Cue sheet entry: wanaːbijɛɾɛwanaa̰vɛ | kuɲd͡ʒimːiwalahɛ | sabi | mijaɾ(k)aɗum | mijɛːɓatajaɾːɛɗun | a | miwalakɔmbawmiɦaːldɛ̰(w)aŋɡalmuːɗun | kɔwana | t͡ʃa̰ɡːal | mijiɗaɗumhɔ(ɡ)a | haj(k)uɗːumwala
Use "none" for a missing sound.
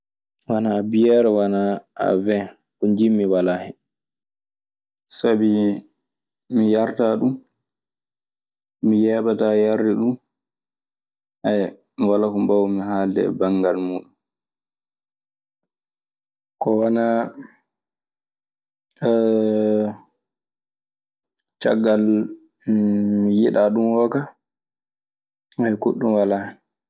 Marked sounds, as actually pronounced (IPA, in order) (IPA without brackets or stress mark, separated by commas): t, b, k, k